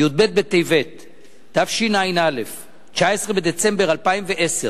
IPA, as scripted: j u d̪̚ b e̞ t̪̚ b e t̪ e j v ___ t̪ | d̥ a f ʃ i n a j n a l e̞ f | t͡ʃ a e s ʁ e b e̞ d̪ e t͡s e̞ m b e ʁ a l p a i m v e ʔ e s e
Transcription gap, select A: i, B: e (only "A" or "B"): B